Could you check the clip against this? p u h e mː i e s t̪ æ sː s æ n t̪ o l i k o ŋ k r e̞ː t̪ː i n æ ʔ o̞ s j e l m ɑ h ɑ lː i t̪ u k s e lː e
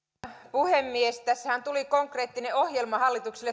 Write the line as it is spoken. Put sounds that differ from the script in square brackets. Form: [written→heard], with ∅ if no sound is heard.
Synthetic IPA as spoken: p u h e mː i e s t̪ æ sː [s→h] æ n t̪ [o→u] l i k o ŋ k r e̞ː t̪ː i n [æ→e] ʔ o̞ [s→h] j e l m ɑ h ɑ lː i t̪ u k s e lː e